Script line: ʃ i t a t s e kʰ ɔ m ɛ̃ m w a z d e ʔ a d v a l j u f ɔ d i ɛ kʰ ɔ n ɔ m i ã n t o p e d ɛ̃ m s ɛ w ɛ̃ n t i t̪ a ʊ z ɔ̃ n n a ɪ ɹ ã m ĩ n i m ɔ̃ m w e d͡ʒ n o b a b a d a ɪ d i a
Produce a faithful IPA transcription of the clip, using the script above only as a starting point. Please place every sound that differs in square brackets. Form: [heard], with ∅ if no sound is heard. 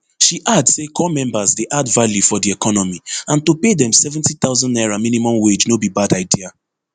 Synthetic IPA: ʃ i [ʔ] a [d] s e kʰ ɔ m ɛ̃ m [b] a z d e ʔ a d v a l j u f ɔ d i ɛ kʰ ɔ n ɔ m i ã n t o p e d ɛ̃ m s ɛ [v] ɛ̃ n t i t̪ a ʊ z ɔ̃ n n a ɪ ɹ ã m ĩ n i m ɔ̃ m w e d͡ʒ n o b [i] b a d a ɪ d i a